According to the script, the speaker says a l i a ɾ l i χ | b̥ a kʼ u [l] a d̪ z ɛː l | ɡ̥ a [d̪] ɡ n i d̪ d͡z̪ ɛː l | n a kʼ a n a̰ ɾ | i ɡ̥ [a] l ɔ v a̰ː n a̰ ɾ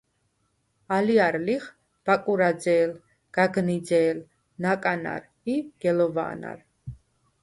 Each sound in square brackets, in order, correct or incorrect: incorrect: ɾ, incorrect: none, incorrect: ɛ

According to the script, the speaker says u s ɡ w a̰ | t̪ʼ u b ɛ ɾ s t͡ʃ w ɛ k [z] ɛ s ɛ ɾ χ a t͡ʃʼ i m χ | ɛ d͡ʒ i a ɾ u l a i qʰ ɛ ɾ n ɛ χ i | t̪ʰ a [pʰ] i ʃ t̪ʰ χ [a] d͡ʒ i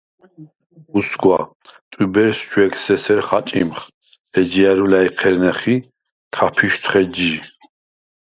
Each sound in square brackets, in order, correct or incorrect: incorrect: s, correct, incorrect: ɛ

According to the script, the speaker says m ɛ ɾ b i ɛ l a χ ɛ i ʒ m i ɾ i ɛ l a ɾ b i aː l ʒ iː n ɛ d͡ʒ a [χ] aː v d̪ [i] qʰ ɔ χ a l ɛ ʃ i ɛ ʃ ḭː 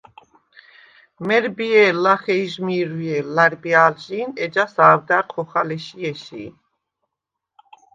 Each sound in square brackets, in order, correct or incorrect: incorrect: s, incorrect: a

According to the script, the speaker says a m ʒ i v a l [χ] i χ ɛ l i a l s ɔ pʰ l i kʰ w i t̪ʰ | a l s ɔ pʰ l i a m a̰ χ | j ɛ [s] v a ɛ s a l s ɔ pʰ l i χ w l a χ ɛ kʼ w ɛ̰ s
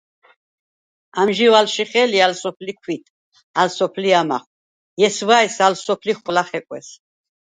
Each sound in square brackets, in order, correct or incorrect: incorrect: ʃ, correct

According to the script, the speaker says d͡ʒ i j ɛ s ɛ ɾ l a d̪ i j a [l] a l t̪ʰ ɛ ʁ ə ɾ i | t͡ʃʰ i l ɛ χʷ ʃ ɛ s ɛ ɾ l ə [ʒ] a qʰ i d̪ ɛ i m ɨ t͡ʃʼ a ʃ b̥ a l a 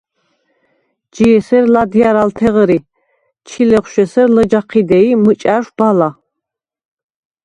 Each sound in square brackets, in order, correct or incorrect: incorrect: ɾ, incorrect: d͡ʒ

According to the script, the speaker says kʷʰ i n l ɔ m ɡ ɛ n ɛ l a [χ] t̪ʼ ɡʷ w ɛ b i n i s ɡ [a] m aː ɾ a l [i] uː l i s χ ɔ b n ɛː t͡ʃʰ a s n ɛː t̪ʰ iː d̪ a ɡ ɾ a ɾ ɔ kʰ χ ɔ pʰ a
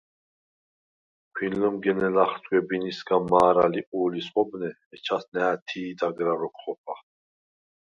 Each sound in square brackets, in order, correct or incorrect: correct, correct, correct

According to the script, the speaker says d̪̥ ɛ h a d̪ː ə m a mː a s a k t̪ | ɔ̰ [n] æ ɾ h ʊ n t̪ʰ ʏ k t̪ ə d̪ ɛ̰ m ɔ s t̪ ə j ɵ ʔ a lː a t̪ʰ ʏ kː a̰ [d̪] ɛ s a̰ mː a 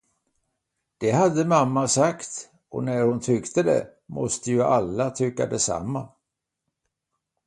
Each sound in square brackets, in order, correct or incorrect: correct, correct

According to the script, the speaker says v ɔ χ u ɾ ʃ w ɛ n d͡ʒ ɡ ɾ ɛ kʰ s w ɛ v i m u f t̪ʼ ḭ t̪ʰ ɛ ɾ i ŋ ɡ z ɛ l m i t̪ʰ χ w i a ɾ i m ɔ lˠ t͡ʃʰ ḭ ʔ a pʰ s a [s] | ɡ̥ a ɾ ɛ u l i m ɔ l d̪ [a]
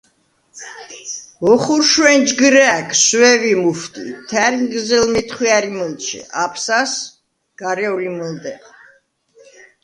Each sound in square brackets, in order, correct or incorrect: correct, incorrect: ɛ

